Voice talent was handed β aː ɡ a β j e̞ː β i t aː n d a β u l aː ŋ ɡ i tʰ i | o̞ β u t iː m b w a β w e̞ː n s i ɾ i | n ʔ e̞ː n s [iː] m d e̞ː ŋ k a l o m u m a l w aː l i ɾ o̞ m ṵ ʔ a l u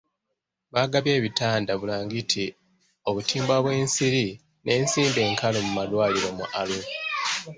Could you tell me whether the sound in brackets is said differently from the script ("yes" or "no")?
no